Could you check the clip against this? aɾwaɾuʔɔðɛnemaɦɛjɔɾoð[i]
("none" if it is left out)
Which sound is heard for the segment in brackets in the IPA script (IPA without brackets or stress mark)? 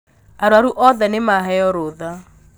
a